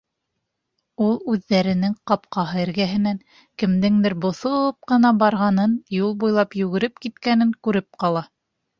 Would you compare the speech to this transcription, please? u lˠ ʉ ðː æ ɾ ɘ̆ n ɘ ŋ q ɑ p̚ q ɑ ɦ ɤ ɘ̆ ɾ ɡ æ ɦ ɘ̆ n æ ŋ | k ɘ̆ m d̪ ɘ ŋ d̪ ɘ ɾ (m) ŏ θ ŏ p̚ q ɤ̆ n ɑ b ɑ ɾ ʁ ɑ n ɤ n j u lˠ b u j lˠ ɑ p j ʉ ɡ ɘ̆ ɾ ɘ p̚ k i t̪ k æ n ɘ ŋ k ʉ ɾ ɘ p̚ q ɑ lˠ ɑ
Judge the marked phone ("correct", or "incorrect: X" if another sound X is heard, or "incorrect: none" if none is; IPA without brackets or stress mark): incorrect: b